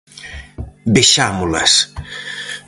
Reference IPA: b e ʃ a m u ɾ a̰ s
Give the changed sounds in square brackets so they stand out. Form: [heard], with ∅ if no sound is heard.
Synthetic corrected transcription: b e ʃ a m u [l] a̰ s